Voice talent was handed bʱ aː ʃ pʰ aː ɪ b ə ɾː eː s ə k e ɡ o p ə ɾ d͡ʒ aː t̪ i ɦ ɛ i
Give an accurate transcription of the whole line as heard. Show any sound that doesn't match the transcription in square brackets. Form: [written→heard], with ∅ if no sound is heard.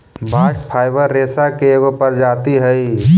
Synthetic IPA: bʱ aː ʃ pʰ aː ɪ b ə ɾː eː s [ə→a] k e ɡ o p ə ɾ d͡ʒ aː t̪ i ɦ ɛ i